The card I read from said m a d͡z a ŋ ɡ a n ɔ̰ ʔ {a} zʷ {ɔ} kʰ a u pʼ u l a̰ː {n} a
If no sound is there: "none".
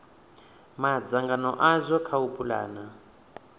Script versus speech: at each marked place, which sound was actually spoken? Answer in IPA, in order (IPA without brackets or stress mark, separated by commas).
a, ɔ, n